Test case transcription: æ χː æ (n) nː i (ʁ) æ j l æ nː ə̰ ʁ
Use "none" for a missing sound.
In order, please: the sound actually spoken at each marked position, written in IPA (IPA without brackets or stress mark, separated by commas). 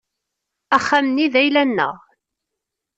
m, ð